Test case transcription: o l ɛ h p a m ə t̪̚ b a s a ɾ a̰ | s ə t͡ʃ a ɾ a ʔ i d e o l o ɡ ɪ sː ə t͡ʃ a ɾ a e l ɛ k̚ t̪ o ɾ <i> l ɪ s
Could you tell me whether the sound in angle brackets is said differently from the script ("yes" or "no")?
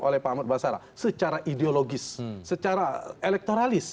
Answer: yes